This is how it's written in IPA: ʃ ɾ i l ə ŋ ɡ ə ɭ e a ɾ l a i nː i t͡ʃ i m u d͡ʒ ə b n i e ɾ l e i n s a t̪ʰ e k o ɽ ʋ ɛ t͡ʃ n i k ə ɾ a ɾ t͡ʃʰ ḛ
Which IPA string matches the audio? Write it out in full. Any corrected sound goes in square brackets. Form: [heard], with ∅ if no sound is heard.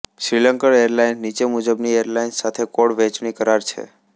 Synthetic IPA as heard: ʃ ɾ i l ə ŋ [k] ə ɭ e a ɾ l a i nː i t͡ʃ [e] m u d͡ʒ ə b n i e ɾ l [a] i n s a t̪ʰ e k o ɽ ʋ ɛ t͡ʃ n i k ə ɾ a ɾ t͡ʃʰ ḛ